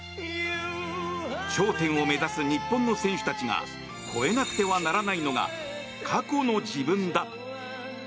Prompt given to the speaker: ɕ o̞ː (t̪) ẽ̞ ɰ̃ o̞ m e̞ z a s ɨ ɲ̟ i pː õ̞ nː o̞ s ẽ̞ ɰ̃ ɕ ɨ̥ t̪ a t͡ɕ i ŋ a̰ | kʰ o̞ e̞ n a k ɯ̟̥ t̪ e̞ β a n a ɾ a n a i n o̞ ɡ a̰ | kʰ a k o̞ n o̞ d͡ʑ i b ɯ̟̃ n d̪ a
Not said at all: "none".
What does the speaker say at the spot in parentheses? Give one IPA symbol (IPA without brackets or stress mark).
t̪